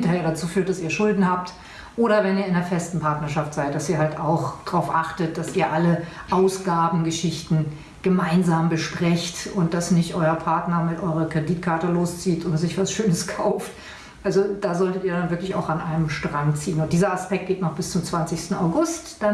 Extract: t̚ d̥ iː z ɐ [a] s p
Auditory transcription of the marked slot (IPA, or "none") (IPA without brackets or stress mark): a